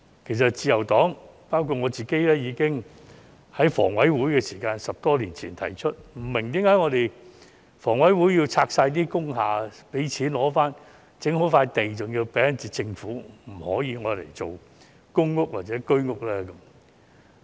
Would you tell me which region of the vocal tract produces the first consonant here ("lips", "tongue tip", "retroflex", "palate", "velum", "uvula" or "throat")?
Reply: velum